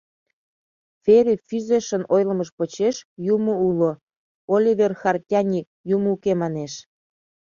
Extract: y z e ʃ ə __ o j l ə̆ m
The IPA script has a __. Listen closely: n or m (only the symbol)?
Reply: n